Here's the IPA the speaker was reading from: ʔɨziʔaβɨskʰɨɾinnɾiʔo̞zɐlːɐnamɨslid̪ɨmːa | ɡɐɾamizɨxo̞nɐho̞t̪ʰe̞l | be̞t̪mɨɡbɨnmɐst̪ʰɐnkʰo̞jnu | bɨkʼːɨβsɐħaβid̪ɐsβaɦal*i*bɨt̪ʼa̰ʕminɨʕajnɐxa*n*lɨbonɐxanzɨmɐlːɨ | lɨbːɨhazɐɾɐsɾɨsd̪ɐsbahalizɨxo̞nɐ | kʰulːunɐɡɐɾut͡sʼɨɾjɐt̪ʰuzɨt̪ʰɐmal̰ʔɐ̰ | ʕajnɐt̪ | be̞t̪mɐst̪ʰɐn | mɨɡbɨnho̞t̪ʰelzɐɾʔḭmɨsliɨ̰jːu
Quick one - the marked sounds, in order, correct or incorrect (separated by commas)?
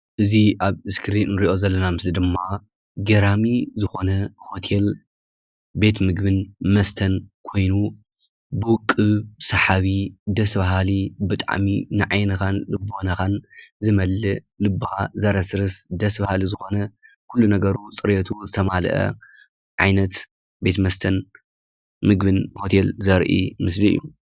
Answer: correct, correct